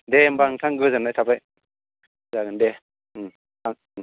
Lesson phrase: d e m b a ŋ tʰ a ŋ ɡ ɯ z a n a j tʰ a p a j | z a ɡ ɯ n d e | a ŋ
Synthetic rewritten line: d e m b a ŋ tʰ a ŋ ɡ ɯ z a n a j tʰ a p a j | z a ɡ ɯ n d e | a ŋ